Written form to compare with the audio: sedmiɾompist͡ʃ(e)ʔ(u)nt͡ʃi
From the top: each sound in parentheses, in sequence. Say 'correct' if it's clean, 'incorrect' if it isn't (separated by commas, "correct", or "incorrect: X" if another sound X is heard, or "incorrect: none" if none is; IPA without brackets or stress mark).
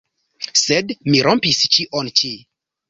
incorrect: i, incorrect: o